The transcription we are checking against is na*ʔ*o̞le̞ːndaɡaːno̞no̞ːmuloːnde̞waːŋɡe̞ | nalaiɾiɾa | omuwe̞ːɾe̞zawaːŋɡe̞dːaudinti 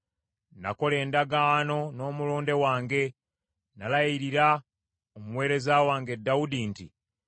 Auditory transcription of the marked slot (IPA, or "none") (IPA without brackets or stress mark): k